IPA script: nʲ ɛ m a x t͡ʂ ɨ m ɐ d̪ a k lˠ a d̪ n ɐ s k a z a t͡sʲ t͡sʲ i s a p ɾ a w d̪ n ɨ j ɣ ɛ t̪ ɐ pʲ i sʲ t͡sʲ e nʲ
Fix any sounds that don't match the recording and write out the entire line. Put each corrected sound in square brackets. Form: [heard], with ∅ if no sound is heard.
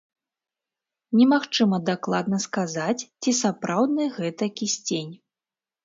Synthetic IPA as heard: nʲ ɛ m a x t͡ʂ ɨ m ɐ d̪ a k lˠ a d̪ n ɐ s k a z a t͡sʲ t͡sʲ i s a p ɾ a w d̪ n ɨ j ɣ ɛ t̪ ɐ [kʲ] i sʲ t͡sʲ e nʲ